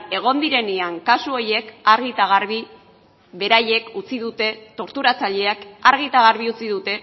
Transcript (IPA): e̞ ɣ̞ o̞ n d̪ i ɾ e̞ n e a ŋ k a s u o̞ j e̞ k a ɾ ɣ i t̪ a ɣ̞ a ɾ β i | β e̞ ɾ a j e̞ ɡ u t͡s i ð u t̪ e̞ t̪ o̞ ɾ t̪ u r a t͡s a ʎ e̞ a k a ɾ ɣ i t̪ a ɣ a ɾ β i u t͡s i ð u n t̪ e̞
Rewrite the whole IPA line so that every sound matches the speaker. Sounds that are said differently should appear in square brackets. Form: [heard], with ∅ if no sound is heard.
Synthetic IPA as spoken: e̞ ɣ̞ o̞ n d̪ i ɾ e̞ n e a ŋ k a s u o̞ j e̞ k a ɾ ɣ i t̪ a ɣ̞ a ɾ β i | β e̞ ɾ a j e̞ [k] u t͡s i ð u t̪ e̞ t̪ o̞ ɾ t̪ u [ɾ] a t͡s a ʎ e̞ a k a ɾ ɣ i t̪ a ɣ a ɾ β i u t͡s i ð u [∅] t̪ e̞

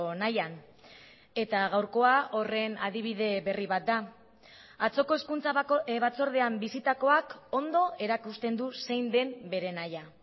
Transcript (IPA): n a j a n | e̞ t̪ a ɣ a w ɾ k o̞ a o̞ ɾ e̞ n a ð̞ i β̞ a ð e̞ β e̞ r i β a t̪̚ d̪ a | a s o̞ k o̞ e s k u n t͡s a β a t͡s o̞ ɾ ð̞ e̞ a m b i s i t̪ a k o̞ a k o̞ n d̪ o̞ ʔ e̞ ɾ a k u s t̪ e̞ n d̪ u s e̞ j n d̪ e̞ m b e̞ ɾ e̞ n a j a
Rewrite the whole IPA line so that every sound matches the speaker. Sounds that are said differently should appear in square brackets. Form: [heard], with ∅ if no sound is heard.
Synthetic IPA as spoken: n a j a n | e̞ t̪ a ɣ a w ɾ k o̞ a o̞ [r] e̞ n a ð̞ i β̞ [i] ð e̞ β e̞ r i β a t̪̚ d̪ a | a [t͡s] o̞ k o̞ e s k u n t͡s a β a t͡s o̞ ɾ ð̞ e̞ a m b i s i t̪ a k o̞ a k o̞ n d̪ o̞ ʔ e̞ ɾ a k u s t̪ e̞ n d̪ u s e̞ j n d̪ e̞ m b e̞ ɾ e̞ n a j a

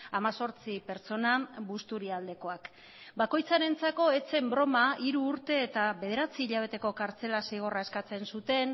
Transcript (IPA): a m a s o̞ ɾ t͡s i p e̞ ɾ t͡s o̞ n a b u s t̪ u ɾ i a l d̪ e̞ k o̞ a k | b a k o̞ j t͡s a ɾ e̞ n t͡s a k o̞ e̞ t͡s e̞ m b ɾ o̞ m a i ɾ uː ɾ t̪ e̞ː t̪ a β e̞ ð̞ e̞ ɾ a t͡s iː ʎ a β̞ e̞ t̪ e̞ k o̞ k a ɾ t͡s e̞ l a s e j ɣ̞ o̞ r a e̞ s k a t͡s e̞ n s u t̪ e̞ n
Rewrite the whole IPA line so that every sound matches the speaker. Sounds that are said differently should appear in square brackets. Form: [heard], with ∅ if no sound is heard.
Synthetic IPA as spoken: a m a s o̞ ɾ t͡s i p e̞ ɾ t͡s o̞ n a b u s t̪ u ɾ i a l d̪ e̞ k o̞ a k | b a k o̞ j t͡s a ɾ e̞ n t͡s a k o̞ e̞ t͡s e̞ m b ɾ o̞ m a i ɾ uː ɾ t̪ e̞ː t̪ a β e̞ ð̞ e̞ ɾ a t͡s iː ʎ a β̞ e̞ t̪ e̞ k o̞ k a ɾ t͡s e̞ l a s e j ɣ̞ o̞ r a e̞ s k a t͡s e̞ n s u t̪ e̞ n

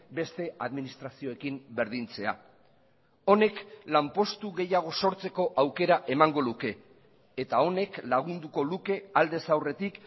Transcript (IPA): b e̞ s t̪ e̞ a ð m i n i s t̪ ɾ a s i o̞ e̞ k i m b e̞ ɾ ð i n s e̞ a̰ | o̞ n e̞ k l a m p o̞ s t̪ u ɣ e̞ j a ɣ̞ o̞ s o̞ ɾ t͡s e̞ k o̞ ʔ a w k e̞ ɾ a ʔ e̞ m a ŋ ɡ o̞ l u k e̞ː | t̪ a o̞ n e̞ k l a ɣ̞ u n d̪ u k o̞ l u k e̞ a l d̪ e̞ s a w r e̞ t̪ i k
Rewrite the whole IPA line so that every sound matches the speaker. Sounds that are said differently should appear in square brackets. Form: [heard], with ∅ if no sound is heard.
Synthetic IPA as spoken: b e̞ s t̪ e̞ a ð m i n i s t̪ ɾ a s i o̞ e̞ k i m b e̞ ɾ ð i n [t͡s] e̞ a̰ | o̞ n e̞ k l a m p o̞ s t̪ u ɣ e̞ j a ɣ̞ o̞ s o̞ ɾ t͡s e̞ k o̞ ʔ a w k e̞ ɾ a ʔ e̞ m a ŋ ɡ o̞ l u k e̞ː | t̪ a o̞ n e̞ k l a ɣ̞ u n d̪ u k o̞ l u k e̞ a l d̪ e̞ s a w r e̞ t̪ i k

